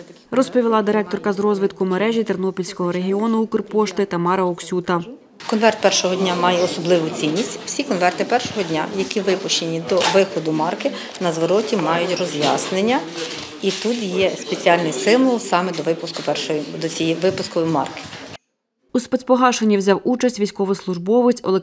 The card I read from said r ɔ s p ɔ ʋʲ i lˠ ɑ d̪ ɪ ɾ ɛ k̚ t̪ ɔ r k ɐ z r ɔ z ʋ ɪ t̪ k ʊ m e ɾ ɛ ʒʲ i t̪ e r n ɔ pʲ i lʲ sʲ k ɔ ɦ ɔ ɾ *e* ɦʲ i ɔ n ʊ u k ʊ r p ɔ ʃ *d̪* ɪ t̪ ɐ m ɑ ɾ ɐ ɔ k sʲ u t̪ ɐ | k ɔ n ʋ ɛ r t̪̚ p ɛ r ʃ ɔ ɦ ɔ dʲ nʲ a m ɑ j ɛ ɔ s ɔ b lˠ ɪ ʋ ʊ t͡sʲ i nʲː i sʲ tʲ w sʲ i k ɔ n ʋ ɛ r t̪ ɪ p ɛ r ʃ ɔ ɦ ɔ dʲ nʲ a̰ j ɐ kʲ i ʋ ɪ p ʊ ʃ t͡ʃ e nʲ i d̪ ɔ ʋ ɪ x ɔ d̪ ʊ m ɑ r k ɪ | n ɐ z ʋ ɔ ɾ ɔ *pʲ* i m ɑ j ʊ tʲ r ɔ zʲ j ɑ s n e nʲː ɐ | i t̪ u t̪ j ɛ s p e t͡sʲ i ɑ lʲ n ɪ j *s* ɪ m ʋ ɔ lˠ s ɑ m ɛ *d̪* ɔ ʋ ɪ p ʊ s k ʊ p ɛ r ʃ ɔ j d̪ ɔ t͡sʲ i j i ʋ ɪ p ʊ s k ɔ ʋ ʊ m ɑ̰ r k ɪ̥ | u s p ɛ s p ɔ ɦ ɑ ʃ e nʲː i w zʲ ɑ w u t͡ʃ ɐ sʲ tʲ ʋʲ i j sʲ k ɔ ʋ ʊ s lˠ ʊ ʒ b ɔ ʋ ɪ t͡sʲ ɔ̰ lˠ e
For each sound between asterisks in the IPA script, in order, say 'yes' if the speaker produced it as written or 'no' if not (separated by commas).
yes, no, no, yes, yes